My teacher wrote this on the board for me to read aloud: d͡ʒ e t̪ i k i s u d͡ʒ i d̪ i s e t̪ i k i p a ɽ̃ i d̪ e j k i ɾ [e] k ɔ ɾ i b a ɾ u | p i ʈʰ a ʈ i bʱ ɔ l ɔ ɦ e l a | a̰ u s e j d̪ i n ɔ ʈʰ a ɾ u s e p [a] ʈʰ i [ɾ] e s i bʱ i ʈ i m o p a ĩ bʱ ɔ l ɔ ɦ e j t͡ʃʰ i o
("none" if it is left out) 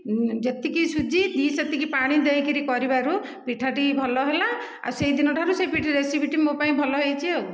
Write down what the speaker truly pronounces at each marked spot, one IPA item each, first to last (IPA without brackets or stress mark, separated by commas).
i, i, ɾ